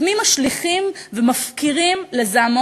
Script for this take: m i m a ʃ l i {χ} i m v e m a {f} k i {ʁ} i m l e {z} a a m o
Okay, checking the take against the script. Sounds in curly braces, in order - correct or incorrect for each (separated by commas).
correct, correct, correct, correct